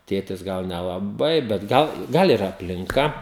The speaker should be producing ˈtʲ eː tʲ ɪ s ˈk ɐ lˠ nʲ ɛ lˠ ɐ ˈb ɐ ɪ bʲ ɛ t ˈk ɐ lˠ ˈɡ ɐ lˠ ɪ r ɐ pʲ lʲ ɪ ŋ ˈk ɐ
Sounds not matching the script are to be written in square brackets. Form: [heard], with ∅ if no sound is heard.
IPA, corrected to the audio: ˈtʲ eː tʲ ɪ s [ˈɡ] ɐ lˠ nʲ ɛ lˠ ɐ ˈb ɐ ɪ bʲ ɛ t [ˈɡ] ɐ lˠ ˈɡ ɐ lˠ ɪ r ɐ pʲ lʲ ɪ ŋ ˈk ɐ

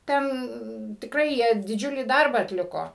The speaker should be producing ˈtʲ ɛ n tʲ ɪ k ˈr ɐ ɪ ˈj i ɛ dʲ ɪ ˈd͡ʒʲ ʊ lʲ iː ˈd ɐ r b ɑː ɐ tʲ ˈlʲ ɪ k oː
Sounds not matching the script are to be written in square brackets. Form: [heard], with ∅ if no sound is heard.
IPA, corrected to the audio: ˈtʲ ɛ n tʲ ɪ k ˈr ɐ ɪ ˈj i ɛ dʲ ɪ ˈd͡ʒʲ ʊ lʲ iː ˈd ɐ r b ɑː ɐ tʲ ˈlʲ ɪ k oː

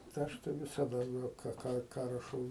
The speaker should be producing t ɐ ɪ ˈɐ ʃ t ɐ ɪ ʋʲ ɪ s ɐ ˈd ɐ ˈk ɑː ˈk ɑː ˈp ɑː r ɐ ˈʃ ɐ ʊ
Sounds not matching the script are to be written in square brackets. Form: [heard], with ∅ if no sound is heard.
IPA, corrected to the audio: t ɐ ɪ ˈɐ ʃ t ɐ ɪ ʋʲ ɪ s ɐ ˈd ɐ ˈk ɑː ˈk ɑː [ˈk] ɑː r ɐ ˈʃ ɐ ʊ

